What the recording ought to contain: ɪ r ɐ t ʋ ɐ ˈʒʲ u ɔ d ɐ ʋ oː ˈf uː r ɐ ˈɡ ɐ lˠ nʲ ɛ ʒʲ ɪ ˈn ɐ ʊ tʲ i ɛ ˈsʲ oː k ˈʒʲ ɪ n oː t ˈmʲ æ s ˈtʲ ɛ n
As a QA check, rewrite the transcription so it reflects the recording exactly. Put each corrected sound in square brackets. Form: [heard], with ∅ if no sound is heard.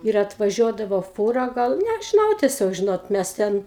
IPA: ɪ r ɐ t ʋ ɐ ˈʒʲ u ɔ d ɐ ʋ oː ˈf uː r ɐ ˈɡ ɐ lˠ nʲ ɛ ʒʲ ɪ ˈn ɐ ʊ tʲ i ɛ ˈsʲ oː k ˈʒʲ ɪ n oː t ˈmʲ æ s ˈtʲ ɛ n